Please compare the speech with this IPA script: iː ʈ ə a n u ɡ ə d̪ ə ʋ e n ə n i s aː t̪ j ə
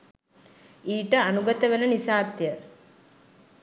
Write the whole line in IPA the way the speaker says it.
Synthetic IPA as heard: iː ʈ ə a n u ɡ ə t̪ ə ʋ e n ə n i s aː t̪ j ə